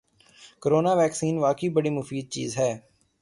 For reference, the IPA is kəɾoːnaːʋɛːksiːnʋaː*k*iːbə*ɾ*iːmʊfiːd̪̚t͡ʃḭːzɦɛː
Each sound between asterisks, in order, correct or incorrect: correct, incorrect

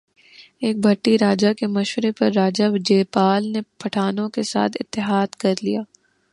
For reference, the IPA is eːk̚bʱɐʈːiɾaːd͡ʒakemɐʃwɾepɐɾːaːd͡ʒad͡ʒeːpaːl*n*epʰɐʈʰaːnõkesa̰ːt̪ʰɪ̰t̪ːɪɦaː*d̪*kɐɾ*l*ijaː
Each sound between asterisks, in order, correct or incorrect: correct, correct, correct

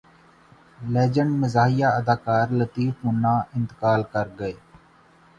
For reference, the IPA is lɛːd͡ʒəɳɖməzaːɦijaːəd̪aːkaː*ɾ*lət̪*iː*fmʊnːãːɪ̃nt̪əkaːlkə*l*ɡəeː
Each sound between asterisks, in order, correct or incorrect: correct, correct, incorrect

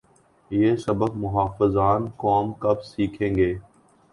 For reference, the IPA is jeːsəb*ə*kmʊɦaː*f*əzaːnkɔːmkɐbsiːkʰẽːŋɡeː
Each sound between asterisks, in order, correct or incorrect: correct, correct

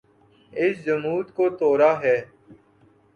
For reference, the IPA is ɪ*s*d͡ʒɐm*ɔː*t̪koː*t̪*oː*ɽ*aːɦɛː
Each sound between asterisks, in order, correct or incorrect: correct, incorrect, correct, incorrect

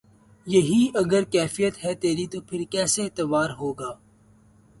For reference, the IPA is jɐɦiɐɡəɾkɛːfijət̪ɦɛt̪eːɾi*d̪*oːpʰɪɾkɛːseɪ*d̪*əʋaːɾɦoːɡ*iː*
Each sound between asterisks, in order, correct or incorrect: incorrect, incorrect, incorrect

